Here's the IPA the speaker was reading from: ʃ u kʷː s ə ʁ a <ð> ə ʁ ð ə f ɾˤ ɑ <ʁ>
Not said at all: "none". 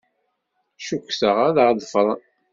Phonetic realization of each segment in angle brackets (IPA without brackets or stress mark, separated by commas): ð, none